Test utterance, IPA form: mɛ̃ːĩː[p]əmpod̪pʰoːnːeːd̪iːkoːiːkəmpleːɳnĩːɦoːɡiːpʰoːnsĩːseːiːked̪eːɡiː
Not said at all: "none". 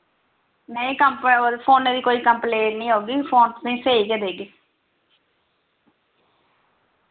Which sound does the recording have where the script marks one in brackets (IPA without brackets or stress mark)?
k